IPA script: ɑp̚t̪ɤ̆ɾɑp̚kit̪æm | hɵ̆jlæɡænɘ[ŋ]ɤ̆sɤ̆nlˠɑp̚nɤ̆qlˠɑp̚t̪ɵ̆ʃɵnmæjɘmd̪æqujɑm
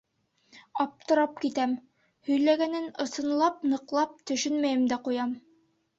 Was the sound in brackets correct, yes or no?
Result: no